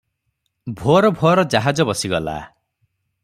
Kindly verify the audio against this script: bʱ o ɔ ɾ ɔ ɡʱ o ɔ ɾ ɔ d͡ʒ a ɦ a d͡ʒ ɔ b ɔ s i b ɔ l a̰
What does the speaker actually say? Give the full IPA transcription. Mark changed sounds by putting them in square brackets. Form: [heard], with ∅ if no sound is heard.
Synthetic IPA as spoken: bʱ o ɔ ɾ ɔ [bʱ] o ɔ ɾ ɔ d͡ʒ a ɦ a d͡ʒ ɔ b ɔ s i [ɡ] ɔ l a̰

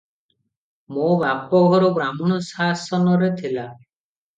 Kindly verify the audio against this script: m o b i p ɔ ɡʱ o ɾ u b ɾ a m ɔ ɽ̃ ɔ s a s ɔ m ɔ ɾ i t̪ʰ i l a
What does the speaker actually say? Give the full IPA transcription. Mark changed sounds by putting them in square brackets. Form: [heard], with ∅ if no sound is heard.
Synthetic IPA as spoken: m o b [a] p ɔ ɡʱ [ɔ] ɾ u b ɾ a m ɔ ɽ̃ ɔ s a s ɔ [n] ɔ ɾ [e] t̪ʰ i l a

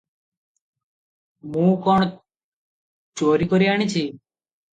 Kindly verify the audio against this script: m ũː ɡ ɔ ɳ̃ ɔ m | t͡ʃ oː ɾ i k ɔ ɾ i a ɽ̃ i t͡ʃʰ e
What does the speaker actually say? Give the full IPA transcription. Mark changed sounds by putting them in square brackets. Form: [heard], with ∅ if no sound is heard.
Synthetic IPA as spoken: m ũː [k] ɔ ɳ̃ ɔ [∅] | t͡ʃ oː ɾ i k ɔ ɾ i a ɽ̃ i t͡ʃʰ [i]

